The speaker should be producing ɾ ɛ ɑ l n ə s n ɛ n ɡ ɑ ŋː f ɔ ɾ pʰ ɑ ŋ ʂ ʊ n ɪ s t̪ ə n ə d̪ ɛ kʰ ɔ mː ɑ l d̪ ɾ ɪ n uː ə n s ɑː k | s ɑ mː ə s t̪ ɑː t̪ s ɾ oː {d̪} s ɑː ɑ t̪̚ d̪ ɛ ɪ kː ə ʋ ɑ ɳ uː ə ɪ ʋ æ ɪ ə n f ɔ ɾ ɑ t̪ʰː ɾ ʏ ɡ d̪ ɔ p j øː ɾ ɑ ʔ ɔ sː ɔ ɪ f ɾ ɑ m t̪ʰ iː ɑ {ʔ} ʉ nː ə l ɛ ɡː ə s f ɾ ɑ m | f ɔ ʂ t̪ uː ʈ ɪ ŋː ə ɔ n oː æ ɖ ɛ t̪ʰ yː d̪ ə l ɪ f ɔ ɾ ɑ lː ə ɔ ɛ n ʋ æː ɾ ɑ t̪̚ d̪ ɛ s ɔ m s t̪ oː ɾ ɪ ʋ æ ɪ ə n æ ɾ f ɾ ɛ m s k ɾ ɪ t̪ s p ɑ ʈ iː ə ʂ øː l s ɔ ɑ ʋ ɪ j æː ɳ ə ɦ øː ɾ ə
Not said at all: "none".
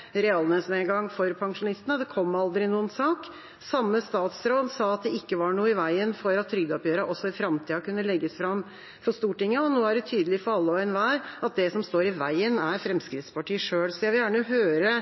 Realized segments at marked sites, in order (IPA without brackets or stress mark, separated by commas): d̪, k